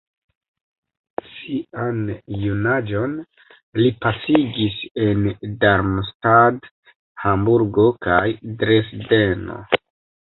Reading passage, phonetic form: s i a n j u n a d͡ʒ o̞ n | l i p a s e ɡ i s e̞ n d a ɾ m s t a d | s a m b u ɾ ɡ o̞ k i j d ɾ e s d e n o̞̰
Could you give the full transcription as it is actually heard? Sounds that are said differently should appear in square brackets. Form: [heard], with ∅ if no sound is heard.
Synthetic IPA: s i a n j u n a d͡ʒ o̞ n | l i p a s [i] ɡ i s e̞ n d a ɾ m s t a d | [h] a m b u ɾ ɡ o̞ k [a] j d ɾ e s d e n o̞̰